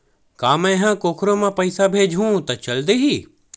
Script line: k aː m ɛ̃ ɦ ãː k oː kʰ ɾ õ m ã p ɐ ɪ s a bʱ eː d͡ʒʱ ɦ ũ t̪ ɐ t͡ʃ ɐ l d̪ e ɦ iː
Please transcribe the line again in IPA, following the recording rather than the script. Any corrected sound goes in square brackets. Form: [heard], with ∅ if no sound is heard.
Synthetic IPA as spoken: k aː m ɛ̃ ɦ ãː k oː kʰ ɾ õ m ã p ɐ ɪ s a bʱ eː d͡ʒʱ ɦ ũ t̪ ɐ t͡ʃ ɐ l d̪ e ɦ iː